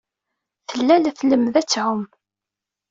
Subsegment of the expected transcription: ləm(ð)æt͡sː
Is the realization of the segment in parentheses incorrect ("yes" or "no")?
no